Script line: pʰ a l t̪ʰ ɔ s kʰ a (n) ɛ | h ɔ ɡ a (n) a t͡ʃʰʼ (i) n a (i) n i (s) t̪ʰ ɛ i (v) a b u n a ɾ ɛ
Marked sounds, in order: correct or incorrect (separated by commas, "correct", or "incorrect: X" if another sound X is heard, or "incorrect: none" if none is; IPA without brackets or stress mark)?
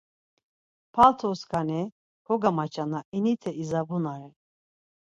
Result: correct, incorrect: m, incorrect: a, correct, incorrect: none, incorrect: z